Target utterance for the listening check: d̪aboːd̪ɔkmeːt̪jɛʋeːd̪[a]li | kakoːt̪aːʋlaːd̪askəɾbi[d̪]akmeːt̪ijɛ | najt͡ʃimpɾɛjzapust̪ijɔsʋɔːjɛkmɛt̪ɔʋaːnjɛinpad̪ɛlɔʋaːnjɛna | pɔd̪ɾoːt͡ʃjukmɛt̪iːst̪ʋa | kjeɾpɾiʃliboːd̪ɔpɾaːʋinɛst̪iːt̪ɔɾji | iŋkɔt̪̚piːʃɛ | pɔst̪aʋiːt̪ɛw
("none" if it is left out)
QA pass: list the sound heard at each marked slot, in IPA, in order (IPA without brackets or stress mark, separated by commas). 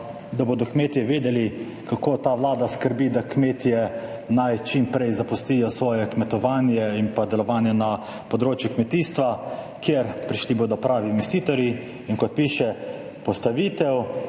ɛ, d̪